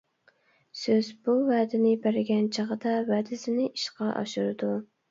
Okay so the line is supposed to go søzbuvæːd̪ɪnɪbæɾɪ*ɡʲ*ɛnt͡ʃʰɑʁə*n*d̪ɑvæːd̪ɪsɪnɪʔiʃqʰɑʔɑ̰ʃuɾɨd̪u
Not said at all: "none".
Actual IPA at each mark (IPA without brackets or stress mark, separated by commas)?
ɡʲ, none